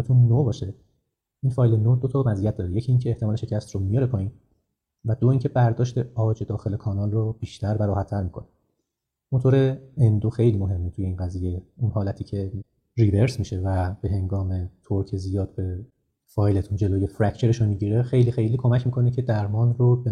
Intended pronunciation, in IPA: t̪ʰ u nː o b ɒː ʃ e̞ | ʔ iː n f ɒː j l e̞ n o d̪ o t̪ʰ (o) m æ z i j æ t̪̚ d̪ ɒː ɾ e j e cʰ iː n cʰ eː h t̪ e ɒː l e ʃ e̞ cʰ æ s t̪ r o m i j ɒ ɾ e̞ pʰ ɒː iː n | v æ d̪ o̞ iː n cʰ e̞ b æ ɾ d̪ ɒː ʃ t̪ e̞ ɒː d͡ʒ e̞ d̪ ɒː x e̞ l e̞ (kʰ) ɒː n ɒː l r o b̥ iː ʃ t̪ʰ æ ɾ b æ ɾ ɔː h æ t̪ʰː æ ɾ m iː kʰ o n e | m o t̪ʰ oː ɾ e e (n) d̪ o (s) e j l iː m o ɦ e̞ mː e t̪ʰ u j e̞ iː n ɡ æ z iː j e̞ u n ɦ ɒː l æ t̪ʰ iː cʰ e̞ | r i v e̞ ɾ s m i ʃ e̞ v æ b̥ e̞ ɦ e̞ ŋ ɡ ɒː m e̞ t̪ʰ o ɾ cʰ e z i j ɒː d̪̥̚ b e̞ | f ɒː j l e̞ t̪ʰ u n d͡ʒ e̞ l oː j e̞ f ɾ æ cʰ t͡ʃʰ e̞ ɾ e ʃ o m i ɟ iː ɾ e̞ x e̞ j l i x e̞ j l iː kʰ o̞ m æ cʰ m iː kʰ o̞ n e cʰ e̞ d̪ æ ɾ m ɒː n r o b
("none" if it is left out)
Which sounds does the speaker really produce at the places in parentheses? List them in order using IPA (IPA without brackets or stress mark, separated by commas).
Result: ɒ, kʰ, n, x